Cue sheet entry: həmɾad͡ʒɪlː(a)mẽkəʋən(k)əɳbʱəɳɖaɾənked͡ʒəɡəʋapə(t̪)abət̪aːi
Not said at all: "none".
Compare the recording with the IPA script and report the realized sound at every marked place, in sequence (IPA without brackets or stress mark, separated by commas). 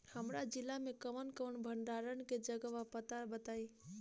a, k, t̪